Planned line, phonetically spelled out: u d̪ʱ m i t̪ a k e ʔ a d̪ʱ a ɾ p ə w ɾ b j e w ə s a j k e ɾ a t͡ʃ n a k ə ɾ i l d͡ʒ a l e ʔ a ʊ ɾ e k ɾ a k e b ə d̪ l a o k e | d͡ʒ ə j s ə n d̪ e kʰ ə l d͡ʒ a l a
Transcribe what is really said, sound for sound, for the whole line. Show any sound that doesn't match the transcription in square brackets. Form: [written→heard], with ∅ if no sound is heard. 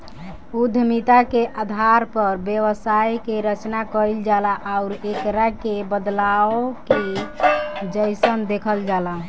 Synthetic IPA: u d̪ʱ m i t̪ a k e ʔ a d̪ʱ a ɾ p ə [w→∅] ɾ b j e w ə s a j k e ɾ [a→ə] t͡ʃ n a k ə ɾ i l d͡ʒ a l [e→a] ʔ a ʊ ɾ e k ɾ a k e b ə d̪ l a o k e | d͡ʒ ə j s ə n d̪ e kʰ ə l d͡ʒ a l a

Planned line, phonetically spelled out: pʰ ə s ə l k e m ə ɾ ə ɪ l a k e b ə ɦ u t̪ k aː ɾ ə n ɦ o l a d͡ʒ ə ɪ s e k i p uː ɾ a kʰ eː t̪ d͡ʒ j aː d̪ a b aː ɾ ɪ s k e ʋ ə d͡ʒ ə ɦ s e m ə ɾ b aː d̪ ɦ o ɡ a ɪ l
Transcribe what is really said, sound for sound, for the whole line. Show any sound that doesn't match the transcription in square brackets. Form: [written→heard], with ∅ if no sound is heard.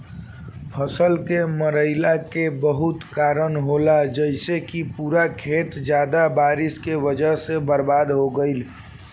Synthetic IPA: pʰ ə s ə l k e m ə ɾ ə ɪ l a k e b ə ɦ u t̪ k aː ɾ ə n ɦ o l a d͡ʒ ə ɪ s e k i p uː ɾ a kʰ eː t̪ d͡ʒ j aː d̪ a b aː ɾ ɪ s k e ʋ ə d͡ʒ ə ɦ s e [m→b] ə ɾ b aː d̪ ɦ o ɡ [a→ə] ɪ l

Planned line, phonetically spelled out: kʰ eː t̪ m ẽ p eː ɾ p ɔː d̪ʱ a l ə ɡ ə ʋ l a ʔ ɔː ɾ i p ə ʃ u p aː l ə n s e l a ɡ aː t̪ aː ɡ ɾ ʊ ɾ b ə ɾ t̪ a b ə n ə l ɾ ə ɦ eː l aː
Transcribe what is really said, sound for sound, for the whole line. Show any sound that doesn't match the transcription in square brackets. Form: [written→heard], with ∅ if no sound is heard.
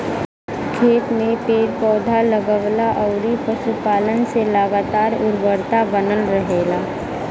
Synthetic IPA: kʰ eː t̪ m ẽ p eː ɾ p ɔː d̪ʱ a l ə ɡ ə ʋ l a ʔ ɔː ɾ i p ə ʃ u p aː l ə n s e l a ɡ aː t̪ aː [ɡ→∅] ɾ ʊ ɾ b ə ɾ t̪ a b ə n ə l ɾ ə ɦ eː l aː

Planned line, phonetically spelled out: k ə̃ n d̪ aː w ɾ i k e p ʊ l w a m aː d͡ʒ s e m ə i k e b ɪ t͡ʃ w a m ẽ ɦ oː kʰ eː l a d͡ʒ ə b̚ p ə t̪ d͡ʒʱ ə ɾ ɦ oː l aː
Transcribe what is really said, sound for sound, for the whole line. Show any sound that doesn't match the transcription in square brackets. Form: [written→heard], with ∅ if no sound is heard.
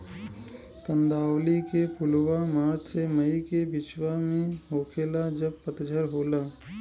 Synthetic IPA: k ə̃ n d̪ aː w [ɾ→l] i k e p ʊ l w a m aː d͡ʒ s e m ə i k e b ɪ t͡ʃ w a m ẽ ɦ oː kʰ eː l a d͡ʒ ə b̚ p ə t̪ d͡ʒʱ ə ɾ ɦ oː l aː

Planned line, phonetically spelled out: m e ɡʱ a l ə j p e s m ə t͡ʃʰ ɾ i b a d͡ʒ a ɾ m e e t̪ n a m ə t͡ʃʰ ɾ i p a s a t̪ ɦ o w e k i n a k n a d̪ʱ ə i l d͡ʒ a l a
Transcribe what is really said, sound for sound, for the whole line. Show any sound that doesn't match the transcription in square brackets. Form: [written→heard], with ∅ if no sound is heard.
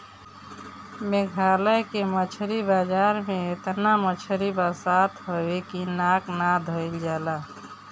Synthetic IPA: m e ɡʱ a l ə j [p→k] e [s→∅] m ə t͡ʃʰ ɾ i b a d͡ʒ a ɾ m e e t̪ n a m ə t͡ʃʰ ɾ i [p→b] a s a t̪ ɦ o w e k i n a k n a d̪ʱ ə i l d͡ʒ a l a

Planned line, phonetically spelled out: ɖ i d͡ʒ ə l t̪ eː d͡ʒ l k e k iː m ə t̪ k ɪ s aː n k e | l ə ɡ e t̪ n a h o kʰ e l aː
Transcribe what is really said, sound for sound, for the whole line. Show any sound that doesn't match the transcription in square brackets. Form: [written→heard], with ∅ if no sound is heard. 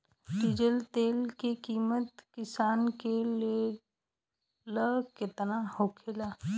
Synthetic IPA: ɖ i d͡ʒ ə l t̪ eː [d͡ʒ→∅] l k e k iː m ə t̪ k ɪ s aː n k e | l ə [ɡ→k] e t̪ n a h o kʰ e l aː

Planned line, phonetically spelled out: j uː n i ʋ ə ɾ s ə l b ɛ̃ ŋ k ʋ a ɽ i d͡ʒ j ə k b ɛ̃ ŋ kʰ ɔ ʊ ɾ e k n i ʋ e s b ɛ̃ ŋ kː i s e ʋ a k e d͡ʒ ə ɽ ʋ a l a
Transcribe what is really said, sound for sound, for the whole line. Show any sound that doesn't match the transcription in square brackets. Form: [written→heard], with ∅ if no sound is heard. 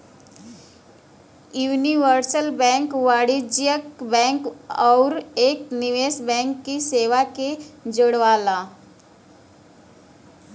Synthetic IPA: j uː n i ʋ ə ɾ s ə l b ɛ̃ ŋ k ʋ a ɽ i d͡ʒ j ə k b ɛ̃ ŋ [kʰ→k] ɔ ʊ ɾ e k n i ʋ e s b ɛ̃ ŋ kː i s e ʋ a k e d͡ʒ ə ɽ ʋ a l a

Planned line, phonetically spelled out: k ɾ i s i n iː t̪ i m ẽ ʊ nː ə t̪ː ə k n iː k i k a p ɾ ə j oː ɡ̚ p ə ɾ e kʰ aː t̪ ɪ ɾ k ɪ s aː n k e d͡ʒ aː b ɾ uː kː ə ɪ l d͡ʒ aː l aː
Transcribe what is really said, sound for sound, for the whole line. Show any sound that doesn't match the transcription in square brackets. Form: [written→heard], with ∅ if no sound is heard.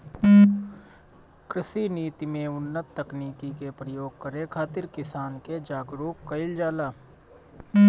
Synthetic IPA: k ɾ [i→ɪ] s i n iː t̪ i m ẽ ʊ nː ə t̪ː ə k n iː k i k [a→e] p ɾ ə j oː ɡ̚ [p→k] ə ɾ e kʰ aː t̪ ɪ ɾ k ɪ s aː n k e d͡ʒ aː [b→ɡ] ɾ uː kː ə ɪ l d͡ʒ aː l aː

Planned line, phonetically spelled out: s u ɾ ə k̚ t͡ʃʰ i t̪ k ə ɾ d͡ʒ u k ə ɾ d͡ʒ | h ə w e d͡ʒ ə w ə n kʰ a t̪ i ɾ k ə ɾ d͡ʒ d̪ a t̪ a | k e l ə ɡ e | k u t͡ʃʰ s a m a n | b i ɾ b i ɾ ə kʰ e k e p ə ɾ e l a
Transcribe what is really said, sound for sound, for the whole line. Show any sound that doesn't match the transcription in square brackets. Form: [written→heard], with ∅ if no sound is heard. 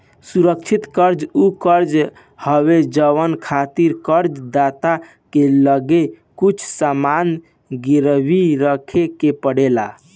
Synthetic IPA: s u ɾ ə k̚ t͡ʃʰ i t̪ k ə ɾ d͡ʒ u k ə ɾ d͡ʒ | h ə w e d͡ʒ ə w ə n kʰ a t̪ i ɾ k ə ɾ d͡ʒ d̪ a t̪ a | k e l ə ɡ e | k u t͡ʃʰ s a m a n | [b→ɡ] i ɾ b i ɾ ə kʰ e k e p ə [ɾ→ɽ] e l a

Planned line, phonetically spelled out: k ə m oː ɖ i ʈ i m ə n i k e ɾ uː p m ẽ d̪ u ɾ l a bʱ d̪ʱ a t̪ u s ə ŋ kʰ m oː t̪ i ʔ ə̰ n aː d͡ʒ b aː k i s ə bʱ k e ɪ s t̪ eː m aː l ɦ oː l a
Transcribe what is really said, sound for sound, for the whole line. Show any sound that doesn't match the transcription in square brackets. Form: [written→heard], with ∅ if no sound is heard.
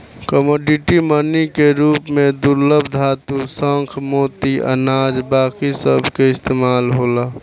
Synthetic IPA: k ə m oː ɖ i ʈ i m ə n i k e ɾ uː p m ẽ d̪ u ɾ l [a→ə] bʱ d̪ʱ a t̪ u s ə ŋ kʰ m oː t̪ i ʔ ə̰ n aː d͡ʒ b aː k i s ə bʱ k e ɪ s t̪ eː m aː l ɦ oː l a

